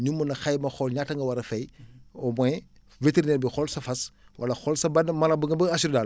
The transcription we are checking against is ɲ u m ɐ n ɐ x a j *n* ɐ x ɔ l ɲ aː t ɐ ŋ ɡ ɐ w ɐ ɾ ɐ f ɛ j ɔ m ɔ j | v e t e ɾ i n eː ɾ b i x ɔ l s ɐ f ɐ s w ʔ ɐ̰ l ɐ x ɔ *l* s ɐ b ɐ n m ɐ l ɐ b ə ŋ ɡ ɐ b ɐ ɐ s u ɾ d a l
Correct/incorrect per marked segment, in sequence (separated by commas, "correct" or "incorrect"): incorrect, correct